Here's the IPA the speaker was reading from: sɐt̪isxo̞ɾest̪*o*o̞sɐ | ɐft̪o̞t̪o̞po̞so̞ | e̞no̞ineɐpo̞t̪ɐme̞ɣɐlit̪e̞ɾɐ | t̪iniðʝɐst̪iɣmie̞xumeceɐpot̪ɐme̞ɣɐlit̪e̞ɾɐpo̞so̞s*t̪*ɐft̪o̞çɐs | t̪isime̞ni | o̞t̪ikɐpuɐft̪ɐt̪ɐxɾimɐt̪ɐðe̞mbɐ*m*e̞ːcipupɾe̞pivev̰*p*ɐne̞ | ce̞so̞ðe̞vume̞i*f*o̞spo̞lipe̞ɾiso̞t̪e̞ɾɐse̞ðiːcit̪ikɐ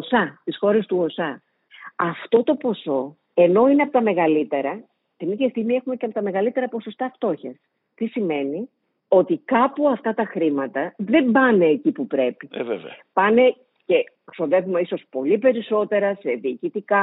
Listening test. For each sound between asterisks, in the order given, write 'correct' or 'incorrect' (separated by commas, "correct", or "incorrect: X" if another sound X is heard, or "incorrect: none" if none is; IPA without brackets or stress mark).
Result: incorrect: u, correct, incorrect: n, correct, incorrect: s